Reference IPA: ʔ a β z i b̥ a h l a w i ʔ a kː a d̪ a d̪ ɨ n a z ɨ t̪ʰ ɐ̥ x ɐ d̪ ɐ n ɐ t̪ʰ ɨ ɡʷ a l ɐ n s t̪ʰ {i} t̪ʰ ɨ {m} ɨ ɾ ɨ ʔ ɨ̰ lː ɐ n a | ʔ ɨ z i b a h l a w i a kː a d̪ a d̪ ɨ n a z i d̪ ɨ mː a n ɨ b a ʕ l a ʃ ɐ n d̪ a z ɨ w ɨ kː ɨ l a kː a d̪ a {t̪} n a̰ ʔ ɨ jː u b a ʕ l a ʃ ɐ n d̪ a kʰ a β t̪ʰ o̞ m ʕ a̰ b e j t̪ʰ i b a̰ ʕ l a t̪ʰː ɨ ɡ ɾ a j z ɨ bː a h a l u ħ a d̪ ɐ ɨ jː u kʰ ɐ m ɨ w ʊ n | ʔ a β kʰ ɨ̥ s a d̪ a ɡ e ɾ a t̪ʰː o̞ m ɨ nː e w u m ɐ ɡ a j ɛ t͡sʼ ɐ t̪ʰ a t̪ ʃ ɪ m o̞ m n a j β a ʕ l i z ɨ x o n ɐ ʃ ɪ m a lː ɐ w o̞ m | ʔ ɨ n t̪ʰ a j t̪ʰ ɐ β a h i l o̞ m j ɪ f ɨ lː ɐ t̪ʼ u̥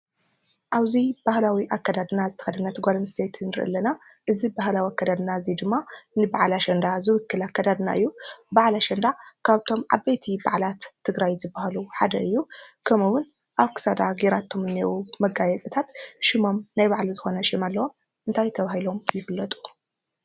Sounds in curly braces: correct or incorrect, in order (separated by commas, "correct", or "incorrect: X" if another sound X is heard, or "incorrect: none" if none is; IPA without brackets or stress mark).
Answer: incorrect: e, incorrect: n, incorrect: d̪